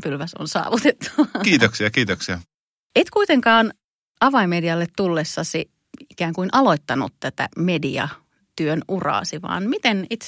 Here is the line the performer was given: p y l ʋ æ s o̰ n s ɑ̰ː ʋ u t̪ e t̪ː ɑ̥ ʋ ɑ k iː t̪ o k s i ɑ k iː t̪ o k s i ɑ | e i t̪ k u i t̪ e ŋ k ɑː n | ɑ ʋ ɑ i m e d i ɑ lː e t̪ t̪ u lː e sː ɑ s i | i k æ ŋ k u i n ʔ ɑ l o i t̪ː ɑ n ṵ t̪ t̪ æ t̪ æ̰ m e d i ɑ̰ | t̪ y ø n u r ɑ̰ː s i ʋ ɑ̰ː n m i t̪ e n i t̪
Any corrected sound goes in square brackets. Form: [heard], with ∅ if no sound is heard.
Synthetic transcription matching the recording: p y l ʋ æ s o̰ n s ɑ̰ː ʋ u t̪ e t̪ː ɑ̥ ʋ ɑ k iː t̪ o k s i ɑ k iː t̪ o k s i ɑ | e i t̪ k u i t̪ e ŋ k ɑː n | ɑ ʋ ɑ i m e d i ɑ lː e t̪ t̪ u lː e sː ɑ s i | i k [æː] ŋ k u i n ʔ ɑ l o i t̪ː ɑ n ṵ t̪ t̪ æ t̪ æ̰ m e d i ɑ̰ | t̪ y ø n u r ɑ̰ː s i ʋ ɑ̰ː n m i t̪ e n i t̪